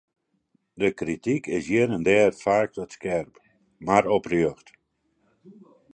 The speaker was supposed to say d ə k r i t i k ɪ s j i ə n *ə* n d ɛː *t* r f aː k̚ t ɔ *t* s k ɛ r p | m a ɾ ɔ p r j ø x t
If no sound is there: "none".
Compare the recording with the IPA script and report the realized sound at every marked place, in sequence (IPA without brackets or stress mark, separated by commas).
ə, none, t